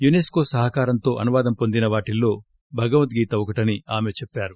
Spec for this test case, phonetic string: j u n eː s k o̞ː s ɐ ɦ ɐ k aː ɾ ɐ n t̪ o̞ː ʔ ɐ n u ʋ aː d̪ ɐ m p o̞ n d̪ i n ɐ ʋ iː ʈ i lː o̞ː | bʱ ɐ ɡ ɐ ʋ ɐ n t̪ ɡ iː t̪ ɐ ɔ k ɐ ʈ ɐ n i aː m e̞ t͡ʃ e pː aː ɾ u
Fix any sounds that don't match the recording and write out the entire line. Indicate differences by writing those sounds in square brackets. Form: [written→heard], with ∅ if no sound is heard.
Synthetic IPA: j u n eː s k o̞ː s ɐ ɦ ɐ k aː ɾ ɐ n t̪ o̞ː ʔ ɐ n u ʋ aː d̪ ɐ m p o̞ n d̪ i n ɐ ʋ [iː→aː] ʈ i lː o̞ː | bʱ ɐ ɡ ɐ ʋ ɐ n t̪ ɡ iː t̪ ɐ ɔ k ɐ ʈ ɐ n i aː m e̞ t͡ʃ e pː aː ɾ u

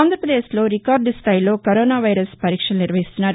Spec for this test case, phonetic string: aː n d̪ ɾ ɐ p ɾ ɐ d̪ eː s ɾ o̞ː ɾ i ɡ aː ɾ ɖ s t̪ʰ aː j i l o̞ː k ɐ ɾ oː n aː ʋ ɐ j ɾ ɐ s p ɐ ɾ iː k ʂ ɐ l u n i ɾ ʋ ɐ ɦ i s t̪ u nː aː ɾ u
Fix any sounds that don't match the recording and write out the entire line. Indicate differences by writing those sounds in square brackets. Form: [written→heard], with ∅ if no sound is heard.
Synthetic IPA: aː n d̪ ɾ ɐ p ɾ ɐ d̪ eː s [ɾ→l] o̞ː ɾ i [ɡ→k] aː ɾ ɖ s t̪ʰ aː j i l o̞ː k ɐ ɾ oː n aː ʋ ɐ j ɾ ɐ s p ɐ ɾ iː k ʂ ɐ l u n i ɾ ʋ ɐ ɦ i s t̪ u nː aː ɾ u

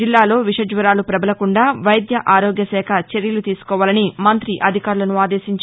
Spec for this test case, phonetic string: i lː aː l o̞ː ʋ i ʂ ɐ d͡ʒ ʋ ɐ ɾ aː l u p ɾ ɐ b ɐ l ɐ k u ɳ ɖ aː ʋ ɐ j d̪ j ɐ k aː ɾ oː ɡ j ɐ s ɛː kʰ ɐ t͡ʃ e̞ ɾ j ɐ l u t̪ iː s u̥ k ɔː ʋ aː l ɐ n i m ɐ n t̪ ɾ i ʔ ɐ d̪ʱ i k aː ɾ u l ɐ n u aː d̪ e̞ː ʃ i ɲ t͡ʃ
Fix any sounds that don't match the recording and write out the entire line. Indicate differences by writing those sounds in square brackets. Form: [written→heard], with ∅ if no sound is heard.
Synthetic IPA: i lː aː l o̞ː ʋ i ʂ ɐ d͡ʒ ʋ ɐ ɾ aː l u p ɾ ɐ b ɐ l ɐ k u ɳ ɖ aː ʋ ɐ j d̪ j ɐ [k→ʔ] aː ɾ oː ɡ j ɐ s ɛː kʰ ɐ t͡ʃ e̞ ɾ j ɐ l u t̪ iː s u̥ k ɔː ʋ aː l ɐ n i m ɐ n t̪ ɾ i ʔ ɐ d̪ʱ i k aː ɾ u l ɐ n u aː d̪ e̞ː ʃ i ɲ t͡ʃ

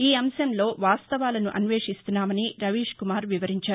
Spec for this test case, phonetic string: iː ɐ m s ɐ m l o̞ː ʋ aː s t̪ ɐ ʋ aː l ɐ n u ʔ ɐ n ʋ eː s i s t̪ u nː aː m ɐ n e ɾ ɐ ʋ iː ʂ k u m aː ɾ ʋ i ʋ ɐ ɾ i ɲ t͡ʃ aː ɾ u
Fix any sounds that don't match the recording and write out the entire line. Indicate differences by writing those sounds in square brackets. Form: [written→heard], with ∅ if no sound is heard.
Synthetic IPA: iː ɐ m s ɐ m l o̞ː ʋ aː s t̪ ɐ ʋ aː l ɐ n u ʔ ɐ n ʋ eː [s→ʂ] i s t̪ u nː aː m ɐ n [e→i] ɾ ɐ ʋ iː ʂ k u m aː ɾ ʋ i ʋ ɐ ɾ i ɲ t͡ʃ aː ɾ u

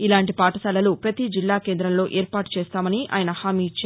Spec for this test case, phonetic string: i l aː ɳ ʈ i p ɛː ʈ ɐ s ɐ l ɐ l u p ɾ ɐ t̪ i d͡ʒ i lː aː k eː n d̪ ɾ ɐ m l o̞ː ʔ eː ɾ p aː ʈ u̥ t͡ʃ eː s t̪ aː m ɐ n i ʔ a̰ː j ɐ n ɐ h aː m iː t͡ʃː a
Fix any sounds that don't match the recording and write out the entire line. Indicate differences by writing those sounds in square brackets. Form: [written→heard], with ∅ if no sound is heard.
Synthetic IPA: i l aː ɳ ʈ i p [ɛː→aː] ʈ ɐ s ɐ l ɐ l u p ɾ ɐ t̪ i d͡ʒ i lː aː k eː n d̪ ɾ ɐ m l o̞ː ʔ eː ɾ p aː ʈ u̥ t͡ʃ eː s t̪ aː m ɐ n i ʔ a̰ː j ɐ n ɐ h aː m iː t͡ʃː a

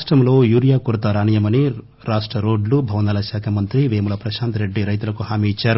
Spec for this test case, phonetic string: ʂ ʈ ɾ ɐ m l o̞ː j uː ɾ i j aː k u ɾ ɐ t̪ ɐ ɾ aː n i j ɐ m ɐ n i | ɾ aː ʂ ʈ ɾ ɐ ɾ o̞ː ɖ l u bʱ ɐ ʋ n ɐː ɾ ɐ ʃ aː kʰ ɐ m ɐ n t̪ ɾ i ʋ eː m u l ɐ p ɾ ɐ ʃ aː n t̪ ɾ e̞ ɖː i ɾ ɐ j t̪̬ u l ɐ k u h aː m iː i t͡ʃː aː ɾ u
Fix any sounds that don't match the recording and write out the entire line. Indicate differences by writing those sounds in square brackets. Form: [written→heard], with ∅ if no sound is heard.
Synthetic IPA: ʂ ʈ ɾ ɐ m l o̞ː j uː ɾ i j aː k u ɾ ɐ t̪ ɐ ɾ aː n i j ɐ m ɐ n i | ɾ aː ʂ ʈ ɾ ɐ ɾ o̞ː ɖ l u bʱ ɐ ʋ n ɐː [ɾ→l] ɐ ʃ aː kʰ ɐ m ɐ n t̪ ɾ i ʋ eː m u l ɐ p ɾ ɐ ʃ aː n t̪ ɾ e̞ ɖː i ɾ ɐ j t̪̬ u l ɐ k u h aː m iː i t͡ʃː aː ɾ u

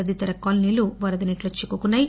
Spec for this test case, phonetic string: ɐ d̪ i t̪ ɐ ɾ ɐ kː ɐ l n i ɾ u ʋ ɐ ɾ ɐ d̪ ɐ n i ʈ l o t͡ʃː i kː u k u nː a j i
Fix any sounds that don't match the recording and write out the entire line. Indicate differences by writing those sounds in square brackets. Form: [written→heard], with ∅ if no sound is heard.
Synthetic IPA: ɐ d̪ i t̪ ɐ ɾ ɐ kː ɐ l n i [ɾ→l] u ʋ ɐ ɾ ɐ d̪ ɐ n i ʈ l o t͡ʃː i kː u k u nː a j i

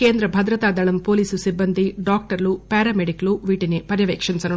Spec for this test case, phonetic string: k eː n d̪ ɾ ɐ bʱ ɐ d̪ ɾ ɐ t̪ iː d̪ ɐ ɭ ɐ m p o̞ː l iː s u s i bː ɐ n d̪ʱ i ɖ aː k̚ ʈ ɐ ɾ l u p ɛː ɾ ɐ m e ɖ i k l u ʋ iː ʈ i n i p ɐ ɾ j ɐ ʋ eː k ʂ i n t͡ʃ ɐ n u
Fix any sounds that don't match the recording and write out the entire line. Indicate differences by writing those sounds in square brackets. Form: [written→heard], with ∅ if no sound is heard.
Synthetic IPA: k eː n d̪ ɾ ɐ bʱ ɐ d̪ ɾ ɐ t̪ [iː→aː] d̪ ɐ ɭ ɐ m p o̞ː l iː s u s i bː ɐ n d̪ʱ i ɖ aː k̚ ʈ ɐ ɾ l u p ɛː ɾ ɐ m e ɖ i k l u ʋ iː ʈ i n i p ɐ ɾ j ɐ ʋ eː k ʂ i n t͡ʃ ɐ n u

